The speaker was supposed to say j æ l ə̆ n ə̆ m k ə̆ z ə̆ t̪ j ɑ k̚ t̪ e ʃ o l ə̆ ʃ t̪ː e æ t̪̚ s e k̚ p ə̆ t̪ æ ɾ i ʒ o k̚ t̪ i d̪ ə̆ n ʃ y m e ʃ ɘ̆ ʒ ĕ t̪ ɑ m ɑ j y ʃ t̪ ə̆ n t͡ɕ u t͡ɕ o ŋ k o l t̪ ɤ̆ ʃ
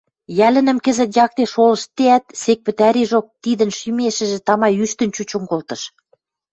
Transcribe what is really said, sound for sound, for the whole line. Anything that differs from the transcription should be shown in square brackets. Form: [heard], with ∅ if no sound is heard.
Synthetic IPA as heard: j æ l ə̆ n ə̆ m k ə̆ z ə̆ t̪ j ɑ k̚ t̪ e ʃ o l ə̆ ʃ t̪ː e æ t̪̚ s e k̚ p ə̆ t̪ æ ɾ i ʒ o k̚ t̪ i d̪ ə̆ n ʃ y m e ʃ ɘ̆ ʒ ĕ t̪ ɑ m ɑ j y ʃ t̪ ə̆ n t͡ɕ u t͡ɕ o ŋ k o l t̪ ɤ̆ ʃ